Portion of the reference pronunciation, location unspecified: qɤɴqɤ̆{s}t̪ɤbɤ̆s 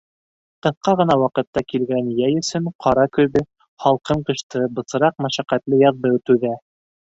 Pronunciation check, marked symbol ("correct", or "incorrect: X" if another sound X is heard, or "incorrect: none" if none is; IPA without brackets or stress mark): incorrect: ʃ